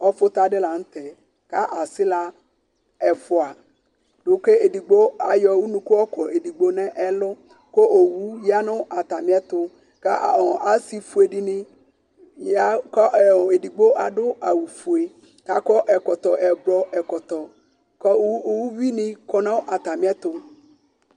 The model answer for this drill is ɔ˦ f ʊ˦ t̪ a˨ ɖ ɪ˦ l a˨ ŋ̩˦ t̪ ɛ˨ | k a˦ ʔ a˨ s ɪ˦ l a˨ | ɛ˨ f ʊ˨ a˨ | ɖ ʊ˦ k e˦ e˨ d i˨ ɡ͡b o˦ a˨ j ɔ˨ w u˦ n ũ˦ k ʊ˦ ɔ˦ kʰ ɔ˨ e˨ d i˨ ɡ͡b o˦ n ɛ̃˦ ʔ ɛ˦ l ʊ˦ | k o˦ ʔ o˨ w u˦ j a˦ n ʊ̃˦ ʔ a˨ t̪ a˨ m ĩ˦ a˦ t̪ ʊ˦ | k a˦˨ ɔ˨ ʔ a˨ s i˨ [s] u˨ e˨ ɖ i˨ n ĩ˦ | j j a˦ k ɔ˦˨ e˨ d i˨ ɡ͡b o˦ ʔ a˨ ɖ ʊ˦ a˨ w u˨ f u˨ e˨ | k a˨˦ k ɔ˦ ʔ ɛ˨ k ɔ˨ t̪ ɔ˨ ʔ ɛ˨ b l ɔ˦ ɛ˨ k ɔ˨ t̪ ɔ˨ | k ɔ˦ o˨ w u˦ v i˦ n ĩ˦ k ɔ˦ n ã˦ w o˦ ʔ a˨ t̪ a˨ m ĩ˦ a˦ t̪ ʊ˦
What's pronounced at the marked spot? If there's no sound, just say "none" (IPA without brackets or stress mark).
f